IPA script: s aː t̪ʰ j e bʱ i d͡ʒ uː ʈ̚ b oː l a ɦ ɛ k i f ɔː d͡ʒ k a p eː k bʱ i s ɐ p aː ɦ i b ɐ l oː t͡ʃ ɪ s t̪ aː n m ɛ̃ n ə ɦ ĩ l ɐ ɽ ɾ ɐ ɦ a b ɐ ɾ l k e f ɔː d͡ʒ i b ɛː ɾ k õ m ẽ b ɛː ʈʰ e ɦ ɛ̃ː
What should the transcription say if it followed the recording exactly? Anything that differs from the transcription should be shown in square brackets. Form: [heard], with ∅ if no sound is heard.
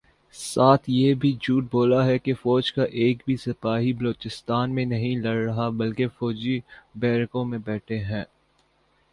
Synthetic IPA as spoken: s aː t̪ʰ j e bʱ i d͡ʒ uː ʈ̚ b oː l a ɦ ɛ k [e] f ɔː d͡ʒ k a [ʔ] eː k bʱ i s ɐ p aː ɦ i b ɐ l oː t͡ʃ ɪ s t̪ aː n m [ẽ] n [ɐ] ɦ ĩ l ɐ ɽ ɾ ɐ ɦ a b ɐ [∅] l k e f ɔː d͡ʒ i b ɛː ɾ k õ m ẽ b ɛː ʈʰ e ɦ ɛ̃ː

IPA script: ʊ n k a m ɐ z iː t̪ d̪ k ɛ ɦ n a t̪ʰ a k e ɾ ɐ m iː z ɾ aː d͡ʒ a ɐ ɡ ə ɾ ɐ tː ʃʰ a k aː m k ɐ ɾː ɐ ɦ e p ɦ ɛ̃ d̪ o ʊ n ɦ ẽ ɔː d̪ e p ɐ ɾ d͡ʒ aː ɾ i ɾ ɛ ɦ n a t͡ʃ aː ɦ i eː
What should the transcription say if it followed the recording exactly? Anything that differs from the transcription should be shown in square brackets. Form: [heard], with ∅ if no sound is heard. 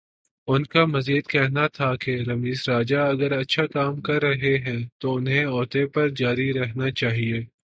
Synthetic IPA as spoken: ʊ n k a m ɐ z iː [∅] d̪ k ɛ ɦ n a t̪ʰ a k e ɾ ɐ m iː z ɾ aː d͡ʒ a ɐ ɡ ə ɾ ɐ tː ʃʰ a k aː m k ɐ ɾː ɐ ɦ e [∅] ɦ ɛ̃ [t̪] o ʊ n ɦ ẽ ɔː [t̪] e p ɐ ɾ d͡ʒ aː ɾ i ɾ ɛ ɦ n a t͡ʃ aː ɦ i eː

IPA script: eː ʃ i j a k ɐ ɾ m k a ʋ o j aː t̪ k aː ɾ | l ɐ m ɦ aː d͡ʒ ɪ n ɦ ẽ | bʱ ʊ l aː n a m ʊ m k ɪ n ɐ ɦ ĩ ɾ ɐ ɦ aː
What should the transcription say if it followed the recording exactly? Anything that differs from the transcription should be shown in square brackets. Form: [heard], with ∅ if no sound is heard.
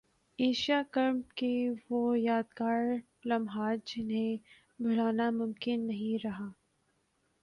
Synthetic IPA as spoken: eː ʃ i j a k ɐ ɾ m k [e] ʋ o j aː [d̪] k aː ɾ | l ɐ m ɦ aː d͡ʒ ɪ n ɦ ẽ | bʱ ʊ l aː n a m ʊ m k ɪ [nː] ɐ ɦ ĩ ɾ ɐ ɦ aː

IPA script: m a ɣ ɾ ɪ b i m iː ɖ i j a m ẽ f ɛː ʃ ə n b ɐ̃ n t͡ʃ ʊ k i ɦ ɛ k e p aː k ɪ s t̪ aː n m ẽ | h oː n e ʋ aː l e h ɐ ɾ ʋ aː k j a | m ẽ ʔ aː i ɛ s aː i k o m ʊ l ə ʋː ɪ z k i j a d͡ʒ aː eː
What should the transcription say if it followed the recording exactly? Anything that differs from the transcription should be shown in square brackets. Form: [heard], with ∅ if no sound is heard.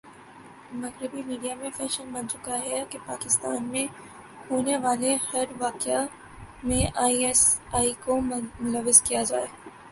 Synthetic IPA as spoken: m [ɐ] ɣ ɾ ɪ b i m iː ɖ i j a m ẽ f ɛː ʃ ə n b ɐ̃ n t͡ʃ ʊ k [a] ɦ ɛ k e p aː k ɪ s t̪ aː n m ẽ | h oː n e ʋ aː l e h ɐ ɾ ʋ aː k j a | m ẽ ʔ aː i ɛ s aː i k o m ʊ l ə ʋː ɪ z k i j a d͡ʒ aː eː

